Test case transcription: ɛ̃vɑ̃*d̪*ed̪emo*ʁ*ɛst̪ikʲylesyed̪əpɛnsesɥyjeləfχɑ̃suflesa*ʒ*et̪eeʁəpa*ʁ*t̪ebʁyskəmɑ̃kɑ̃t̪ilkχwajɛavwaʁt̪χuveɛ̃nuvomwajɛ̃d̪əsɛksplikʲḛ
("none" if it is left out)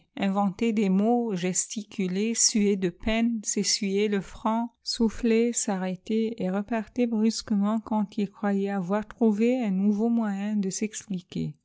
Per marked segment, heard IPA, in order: t̪, ʒ, ʁ, ʁ

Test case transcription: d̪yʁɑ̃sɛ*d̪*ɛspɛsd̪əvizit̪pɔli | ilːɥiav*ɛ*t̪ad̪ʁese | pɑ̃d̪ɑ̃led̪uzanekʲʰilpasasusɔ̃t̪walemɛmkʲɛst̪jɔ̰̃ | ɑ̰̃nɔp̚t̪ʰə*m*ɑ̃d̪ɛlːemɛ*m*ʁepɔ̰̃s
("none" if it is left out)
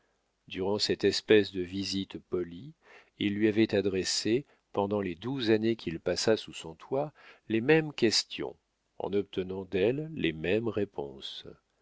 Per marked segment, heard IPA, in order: t̪, ɛ, n, m

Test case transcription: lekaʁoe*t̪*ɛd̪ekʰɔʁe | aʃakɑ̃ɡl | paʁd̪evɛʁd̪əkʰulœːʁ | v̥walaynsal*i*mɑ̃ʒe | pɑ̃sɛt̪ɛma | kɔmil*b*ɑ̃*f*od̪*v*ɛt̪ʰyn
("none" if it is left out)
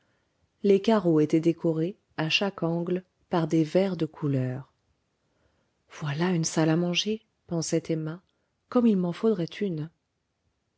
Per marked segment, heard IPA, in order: t̪, a, m, f, ʁ

